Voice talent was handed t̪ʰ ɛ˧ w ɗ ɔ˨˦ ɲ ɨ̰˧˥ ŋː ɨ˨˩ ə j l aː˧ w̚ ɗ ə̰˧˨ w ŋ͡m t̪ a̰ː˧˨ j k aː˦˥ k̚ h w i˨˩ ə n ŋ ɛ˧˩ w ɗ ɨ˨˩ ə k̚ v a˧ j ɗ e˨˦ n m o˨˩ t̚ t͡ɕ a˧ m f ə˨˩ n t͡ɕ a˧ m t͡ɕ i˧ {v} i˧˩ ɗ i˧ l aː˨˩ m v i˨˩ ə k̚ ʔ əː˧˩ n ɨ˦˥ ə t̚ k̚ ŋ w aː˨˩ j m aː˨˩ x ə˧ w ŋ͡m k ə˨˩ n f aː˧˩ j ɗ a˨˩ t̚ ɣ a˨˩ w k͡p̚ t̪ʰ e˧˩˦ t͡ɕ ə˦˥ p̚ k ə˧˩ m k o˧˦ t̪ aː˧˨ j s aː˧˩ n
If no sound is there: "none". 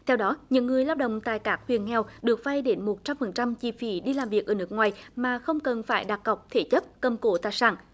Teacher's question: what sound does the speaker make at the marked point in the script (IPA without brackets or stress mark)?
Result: f